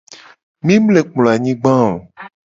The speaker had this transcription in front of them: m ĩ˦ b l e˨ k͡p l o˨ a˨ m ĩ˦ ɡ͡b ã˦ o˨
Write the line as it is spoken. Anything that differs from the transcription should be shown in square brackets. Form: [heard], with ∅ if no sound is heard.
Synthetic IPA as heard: m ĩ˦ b l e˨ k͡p l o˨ a˨ [ɲ] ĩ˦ ɡ͡b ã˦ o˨